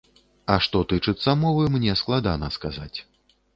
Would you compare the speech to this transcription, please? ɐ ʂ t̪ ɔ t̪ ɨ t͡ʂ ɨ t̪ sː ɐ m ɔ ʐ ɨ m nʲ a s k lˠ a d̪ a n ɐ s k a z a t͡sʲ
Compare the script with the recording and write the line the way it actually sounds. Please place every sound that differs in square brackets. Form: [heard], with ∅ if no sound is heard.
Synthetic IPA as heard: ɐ ʂ t̪ ɔ t̪ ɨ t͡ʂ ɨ t̪ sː ɐ m ɔ [v] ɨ m nʲ [ɛ] s k lˠ a d̪ a n ɐ s k a z a t͡sʲ